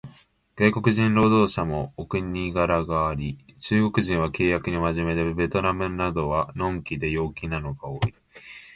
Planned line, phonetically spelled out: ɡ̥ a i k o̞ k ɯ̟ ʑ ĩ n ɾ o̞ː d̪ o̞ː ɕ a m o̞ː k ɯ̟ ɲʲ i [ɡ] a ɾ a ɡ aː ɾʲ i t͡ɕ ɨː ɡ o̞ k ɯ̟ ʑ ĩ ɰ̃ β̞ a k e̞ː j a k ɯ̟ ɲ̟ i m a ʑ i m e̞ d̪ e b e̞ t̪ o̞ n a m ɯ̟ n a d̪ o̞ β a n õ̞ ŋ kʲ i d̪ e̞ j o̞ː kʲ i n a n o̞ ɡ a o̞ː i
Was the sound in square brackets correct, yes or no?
yes